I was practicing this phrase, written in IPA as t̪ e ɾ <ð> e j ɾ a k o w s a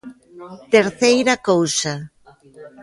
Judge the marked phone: incorrect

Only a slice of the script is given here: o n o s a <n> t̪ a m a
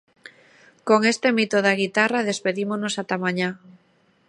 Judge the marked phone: incorrect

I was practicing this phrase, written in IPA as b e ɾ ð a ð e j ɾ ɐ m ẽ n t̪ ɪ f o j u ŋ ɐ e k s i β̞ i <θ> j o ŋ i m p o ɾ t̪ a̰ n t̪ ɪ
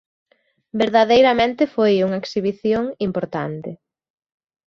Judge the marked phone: correct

